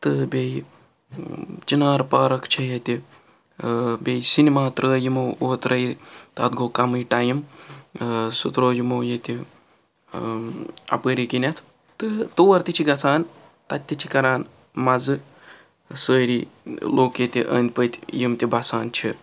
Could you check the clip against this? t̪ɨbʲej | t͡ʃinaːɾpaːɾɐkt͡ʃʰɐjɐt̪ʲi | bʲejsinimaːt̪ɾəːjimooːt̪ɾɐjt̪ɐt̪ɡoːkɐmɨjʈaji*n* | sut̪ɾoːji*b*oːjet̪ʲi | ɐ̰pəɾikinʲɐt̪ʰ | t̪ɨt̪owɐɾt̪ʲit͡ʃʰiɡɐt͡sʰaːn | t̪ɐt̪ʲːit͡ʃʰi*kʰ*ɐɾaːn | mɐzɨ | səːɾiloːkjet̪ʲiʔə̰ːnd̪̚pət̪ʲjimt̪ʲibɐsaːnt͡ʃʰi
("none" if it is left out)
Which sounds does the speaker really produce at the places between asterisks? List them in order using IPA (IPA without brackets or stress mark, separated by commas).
m, m, k